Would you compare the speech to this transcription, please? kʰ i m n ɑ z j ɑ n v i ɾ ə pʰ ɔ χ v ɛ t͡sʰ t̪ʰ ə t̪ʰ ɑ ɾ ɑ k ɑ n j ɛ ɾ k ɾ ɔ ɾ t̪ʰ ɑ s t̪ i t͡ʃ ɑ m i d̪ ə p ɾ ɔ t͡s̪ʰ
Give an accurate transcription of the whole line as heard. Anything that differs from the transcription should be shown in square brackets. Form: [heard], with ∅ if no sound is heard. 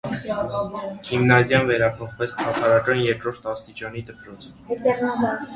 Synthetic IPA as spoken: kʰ i m n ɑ z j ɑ n v [ɛ] ɾ [ɑ] pʰ ɔ χ v ɛ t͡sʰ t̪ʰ [ɑ] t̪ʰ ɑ ɾ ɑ k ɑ n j ɛ ɾ k ɾ ɔ ɾ t̪ʰ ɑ s t̪ i t͡ʃ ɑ [n] i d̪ ə p ɾ ɔ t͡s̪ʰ